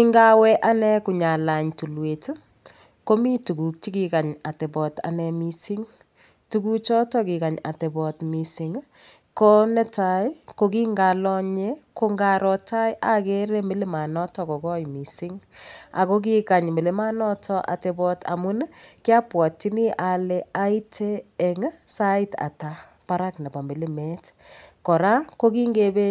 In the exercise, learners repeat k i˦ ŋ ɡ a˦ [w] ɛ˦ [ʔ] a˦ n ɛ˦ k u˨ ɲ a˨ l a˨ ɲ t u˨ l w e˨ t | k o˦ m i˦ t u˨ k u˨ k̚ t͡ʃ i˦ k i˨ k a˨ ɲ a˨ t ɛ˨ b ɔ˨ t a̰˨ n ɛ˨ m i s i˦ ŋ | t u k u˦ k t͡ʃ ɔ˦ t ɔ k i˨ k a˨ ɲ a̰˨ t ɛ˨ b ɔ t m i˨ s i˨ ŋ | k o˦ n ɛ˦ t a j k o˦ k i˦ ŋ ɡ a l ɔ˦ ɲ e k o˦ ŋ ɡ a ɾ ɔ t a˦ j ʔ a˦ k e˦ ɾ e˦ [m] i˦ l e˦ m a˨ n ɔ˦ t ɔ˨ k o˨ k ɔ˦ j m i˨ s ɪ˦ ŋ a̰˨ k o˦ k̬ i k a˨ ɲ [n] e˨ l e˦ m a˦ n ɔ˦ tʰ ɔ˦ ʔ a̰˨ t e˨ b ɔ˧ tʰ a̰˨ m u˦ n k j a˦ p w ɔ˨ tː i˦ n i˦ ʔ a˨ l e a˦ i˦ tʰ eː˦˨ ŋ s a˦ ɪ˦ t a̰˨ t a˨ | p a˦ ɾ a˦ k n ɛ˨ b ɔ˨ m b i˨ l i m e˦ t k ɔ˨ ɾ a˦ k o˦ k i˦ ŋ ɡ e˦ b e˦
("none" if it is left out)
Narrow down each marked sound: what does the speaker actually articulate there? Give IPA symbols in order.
w, ʔ, m, m

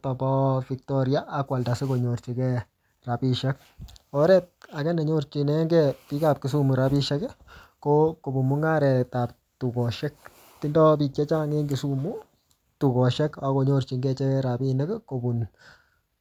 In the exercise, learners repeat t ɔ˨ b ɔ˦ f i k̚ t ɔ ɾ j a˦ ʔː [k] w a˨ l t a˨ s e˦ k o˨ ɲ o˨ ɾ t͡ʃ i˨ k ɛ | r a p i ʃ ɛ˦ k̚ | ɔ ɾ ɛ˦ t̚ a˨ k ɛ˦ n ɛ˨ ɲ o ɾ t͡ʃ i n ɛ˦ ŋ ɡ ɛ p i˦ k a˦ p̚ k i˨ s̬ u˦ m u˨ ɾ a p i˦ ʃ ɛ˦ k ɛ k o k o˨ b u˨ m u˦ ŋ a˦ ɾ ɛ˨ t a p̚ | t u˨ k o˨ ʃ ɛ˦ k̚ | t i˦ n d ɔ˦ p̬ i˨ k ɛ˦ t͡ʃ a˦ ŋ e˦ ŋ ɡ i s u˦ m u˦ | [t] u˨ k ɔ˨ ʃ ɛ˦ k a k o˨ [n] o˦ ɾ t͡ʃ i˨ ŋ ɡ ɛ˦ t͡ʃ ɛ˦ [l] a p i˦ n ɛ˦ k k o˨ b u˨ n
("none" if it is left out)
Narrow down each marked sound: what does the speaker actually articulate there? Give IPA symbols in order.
k, t, ɲ, ɾ

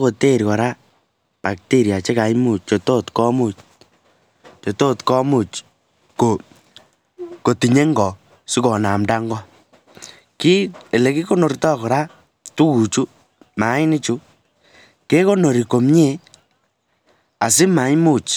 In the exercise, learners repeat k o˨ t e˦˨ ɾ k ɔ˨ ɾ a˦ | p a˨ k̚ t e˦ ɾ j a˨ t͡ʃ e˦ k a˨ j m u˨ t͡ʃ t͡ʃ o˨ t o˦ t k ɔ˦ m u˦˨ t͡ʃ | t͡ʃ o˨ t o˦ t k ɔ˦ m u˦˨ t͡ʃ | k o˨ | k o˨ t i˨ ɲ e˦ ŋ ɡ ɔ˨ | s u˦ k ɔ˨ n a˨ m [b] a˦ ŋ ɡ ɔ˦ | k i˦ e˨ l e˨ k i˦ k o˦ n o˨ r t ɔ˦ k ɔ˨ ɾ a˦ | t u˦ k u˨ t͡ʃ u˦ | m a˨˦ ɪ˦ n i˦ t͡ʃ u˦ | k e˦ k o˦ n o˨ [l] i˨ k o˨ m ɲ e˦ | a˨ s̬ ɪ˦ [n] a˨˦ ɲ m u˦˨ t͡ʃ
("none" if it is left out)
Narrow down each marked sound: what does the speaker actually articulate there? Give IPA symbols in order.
d, ɾ, m

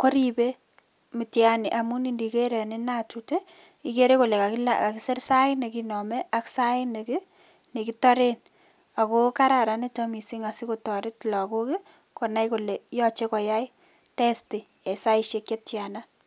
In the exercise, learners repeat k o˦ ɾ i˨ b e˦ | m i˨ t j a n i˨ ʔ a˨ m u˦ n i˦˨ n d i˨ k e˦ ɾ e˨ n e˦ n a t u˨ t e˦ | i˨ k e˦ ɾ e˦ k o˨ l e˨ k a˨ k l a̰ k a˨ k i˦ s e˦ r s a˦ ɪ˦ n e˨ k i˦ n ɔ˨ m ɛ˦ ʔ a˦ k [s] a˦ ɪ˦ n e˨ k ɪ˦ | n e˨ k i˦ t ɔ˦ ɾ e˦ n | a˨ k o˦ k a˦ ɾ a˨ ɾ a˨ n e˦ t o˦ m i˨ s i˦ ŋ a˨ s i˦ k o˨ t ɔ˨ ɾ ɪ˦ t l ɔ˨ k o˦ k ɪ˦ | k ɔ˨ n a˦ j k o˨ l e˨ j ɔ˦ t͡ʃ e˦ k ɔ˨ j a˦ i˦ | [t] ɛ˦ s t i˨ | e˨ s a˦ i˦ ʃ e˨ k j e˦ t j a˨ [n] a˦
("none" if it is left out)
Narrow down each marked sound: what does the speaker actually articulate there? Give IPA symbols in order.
s, t, n

